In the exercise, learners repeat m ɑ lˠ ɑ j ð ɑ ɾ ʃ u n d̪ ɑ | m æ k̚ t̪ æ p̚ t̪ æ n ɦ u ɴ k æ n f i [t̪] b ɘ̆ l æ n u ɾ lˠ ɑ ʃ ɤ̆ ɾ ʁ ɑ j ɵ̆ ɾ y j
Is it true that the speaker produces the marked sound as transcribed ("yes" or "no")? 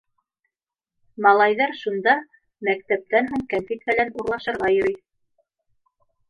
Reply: yes